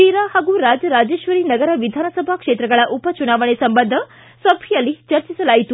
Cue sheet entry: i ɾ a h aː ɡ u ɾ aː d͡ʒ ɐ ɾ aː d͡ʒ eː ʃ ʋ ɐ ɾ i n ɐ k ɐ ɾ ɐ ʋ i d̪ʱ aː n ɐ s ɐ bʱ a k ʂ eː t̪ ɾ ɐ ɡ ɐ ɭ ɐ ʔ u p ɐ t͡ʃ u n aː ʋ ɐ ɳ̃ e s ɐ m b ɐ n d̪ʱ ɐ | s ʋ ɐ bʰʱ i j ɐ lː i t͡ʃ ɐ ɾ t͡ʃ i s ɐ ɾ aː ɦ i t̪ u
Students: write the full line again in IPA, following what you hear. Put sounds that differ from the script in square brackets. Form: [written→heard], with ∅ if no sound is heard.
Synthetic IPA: i ɾ a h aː ɡ u ɾ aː d͡ʒ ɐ ɾ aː d͡ʒ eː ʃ ʋ ɐ ɾ i n ɐ [k→ɡ] ɐ ɾ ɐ ʋ i d̪ʱ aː n ɐ s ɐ bʱ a k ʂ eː t̪ ɾ ɐ ɡ ɐ ɭ ɐ ʔ u p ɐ t͡ʃ u n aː ʋ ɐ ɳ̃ e s ɐ m b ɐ n d̪ʱ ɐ | s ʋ ɐ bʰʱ i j ɐ lː i t͡ʃ ɐ ɾ t͡ʃ i s ɐ [ɾ→l] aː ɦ i t̪ u

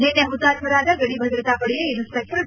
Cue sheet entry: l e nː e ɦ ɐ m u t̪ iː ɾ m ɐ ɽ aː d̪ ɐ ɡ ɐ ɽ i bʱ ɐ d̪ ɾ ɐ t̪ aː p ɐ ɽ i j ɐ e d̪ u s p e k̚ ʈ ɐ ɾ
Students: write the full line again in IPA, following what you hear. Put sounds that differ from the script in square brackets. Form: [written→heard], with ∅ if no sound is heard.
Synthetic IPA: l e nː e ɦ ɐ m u t̪ [iː→aː] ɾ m ɐ [ɽ→ɾ] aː d̪ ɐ ɡ ɐ ɽ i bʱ ɐ d̪ ɾ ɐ t̪ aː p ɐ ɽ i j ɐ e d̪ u s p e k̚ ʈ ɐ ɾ

